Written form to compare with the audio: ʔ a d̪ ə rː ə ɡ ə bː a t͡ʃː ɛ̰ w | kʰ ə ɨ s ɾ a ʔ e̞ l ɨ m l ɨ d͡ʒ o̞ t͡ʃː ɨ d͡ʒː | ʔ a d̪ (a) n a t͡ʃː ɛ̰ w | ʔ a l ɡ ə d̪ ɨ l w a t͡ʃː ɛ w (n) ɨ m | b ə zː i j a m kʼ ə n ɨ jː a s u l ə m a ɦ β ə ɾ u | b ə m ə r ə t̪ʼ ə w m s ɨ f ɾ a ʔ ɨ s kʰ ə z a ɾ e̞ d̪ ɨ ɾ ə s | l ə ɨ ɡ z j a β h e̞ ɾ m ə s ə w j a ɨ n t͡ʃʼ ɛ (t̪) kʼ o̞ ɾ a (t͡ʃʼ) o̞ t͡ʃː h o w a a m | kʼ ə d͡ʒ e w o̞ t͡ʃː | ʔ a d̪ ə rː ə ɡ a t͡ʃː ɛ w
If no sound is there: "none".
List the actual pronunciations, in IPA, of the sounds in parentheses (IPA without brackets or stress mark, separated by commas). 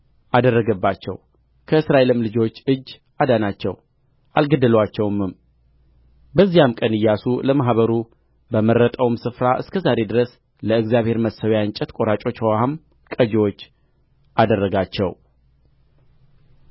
a, m, t̪, t͡ʃʼ